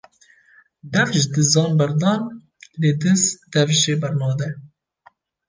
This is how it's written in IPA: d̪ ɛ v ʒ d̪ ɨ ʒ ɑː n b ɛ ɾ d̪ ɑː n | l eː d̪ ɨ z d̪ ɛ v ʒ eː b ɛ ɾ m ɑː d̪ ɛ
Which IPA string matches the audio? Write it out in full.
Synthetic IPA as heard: d̪ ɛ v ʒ d̪ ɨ z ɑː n b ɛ ɾ d̪ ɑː n | l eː d̪ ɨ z d̪ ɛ v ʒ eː b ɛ ɾ n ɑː d̪ ɛ